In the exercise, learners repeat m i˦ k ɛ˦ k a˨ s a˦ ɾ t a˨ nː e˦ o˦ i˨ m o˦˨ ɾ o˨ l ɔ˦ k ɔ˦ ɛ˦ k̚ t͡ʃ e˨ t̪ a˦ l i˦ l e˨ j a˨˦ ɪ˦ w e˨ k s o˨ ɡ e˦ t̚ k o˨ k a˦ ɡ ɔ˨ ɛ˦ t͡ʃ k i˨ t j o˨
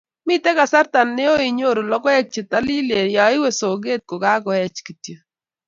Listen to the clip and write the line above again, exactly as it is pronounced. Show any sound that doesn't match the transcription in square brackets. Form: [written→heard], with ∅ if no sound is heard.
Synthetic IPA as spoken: m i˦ [k→t] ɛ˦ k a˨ s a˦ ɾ t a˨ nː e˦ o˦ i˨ [m→ɲ] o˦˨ ɾ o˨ l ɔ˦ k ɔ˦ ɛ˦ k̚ t͡ʃ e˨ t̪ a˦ l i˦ l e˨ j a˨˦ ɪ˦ w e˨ [k→∅] s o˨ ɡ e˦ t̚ k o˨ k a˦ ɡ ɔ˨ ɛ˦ t͡ʃ k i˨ t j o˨